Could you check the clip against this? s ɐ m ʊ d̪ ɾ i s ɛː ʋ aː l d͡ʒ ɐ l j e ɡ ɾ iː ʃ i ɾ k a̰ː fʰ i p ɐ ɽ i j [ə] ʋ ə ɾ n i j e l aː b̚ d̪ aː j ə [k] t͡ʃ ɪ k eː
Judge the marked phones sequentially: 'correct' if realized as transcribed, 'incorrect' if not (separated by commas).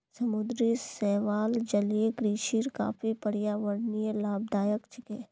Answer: incorrect, correct